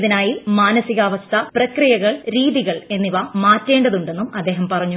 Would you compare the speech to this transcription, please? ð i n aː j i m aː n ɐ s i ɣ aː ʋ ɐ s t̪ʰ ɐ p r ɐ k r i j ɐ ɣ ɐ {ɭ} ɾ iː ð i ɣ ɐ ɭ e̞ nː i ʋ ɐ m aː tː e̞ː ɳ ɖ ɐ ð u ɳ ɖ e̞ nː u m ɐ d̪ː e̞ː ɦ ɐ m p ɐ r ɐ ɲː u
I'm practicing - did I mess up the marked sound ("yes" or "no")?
no